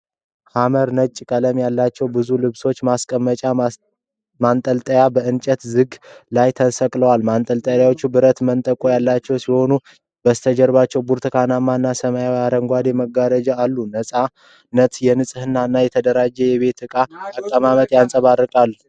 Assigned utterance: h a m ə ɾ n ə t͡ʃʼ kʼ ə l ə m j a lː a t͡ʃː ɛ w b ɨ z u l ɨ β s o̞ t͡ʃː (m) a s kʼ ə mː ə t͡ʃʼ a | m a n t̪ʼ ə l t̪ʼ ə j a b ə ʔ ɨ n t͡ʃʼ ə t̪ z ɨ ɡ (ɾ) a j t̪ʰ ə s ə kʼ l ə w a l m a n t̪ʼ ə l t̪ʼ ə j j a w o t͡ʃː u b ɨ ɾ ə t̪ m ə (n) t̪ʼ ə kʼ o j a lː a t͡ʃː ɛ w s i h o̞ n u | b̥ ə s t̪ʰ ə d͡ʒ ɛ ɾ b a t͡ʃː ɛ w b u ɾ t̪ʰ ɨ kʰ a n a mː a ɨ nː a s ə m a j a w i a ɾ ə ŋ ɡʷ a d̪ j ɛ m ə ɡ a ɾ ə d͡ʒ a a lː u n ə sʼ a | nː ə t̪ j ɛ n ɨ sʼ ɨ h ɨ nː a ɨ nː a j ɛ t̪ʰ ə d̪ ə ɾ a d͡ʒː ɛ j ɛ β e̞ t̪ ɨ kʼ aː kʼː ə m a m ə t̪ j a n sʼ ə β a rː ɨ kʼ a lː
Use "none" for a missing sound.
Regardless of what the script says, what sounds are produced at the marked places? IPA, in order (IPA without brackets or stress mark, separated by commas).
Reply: m, l, n